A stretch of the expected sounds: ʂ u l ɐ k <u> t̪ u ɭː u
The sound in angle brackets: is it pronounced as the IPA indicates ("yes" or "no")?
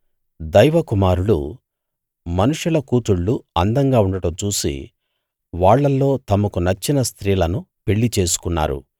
no